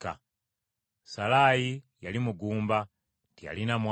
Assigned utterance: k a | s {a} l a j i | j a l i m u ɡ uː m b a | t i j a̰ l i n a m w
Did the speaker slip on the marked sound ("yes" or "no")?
no